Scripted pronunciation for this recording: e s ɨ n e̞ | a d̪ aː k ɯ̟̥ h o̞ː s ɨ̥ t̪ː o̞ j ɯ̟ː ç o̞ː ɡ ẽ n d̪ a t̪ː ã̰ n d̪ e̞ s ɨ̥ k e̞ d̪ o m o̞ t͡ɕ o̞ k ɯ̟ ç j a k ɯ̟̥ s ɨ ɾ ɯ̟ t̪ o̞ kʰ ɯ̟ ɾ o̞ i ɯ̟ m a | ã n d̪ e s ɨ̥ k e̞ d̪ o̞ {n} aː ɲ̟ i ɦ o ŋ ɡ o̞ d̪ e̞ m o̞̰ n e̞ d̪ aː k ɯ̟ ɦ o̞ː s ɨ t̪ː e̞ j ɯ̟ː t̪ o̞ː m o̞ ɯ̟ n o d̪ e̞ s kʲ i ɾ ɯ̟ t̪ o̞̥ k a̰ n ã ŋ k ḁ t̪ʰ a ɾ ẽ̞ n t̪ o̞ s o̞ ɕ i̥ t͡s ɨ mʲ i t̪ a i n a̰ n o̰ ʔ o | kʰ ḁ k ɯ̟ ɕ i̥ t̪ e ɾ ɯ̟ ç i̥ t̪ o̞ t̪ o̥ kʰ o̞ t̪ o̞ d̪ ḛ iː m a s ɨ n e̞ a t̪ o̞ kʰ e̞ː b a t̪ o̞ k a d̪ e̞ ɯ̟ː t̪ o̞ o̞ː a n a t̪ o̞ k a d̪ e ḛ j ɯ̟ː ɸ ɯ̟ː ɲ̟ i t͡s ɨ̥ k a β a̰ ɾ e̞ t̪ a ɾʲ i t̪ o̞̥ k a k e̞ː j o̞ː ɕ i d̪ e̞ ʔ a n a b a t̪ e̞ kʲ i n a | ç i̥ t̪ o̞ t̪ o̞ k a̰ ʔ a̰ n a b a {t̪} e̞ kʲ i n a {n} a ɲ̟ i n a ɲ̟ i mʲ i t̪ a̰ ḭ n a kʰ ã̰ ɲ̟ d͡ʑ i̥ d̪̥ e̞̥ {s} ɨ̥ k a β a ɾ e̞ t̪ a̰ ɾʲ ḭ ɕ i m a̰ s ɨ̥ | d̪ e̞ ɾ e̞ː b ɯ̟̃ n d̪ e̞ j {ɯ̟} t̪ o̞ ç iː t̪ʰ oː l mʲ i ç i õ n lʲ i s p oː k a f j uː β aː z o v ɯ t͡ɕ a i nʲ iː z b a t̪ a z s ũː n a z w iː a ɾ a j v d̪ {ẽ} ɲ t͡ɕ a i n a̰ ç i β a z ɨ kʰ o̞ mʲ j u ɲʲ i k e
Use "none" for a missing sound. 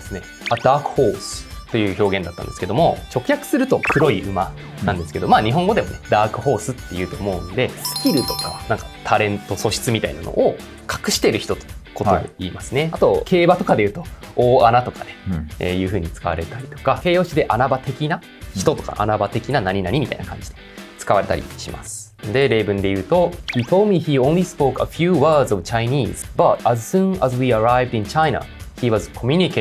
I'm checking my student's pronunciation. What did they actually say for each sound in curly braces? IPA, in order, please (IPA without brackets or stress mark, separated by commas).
m, t̪, n, t͡s, ɯ̟ː, ĩ